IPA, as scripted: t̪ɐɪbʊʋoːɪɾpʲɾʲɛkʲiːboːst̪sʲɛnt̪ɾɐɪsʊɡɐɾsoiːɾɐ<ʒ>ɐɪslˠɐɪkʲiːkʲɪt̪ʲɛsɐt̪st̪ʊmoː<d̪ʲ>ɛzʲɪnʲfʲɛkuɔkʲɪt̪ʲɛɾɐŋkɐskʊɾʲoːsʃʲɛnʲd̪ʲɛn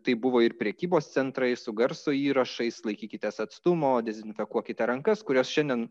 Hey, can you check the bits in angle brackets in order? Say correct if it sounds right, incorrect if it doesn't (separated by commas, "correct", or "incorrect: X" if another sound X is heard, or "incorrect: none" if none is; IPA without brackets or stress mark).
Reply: incorrect: ʃ, correct